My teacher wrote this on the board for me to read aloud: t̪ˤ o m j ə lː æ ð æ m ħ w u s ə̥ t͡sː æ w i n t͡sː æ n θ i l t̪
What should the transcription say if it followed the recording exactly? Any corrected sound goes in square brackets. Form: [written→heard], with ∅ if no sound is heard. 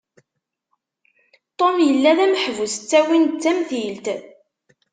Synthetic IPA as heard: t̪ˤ o m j ə lː æ ð æ m ħ [w→v] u s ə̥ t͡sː æ w i n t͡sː æ [n→m] θ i l t̪